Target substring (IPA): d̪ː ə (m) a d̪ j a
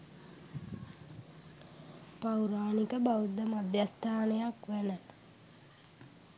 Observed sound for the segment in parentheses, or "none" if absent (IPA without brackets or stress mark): m